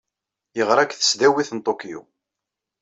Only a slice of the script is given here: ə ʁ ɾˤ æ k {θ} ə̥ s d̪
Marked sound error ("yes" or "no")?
no